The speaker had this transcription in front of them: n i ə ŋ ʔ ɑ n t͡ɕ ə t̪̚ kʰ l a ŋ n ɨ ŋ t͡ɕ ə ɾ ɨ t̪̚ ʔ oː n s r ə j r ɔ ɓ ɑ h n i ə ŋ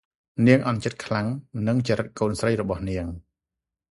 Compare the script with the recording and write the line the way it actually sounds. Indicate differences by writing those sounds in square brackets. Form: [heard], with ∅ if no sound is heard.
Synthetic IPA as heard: n i ə ŋ ʔ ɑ n t͡ɕ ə t̪̚ kʰ l a ŋ n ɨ ŋ t͡ɕ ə ɾ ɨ t̪̚ [k] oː n s r ə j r ɔ ɓ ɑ h n i ə ŋ